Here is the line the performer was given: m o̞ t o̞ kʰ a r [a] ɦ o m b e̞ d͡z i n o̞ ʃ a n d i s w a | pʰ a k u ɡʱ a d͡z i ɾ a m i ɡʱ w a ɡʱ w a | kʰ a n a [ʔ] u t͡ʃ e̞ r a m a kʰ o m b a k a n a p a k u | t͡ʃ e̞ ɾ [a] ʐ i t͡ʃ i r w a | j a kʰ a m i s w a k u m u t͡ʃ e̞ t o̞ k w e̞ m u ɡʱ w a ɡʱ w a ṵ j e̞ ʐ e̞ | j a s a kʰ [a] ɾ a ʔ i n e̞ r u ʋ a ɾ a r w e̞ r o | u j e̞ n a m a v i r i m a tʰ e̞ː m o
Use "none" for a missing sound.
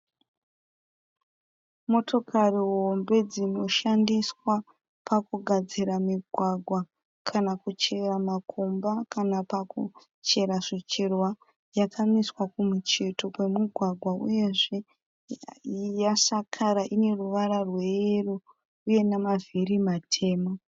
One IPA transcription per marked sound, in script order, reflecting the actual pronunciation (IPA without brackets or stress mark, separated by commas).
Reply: i, k, a, a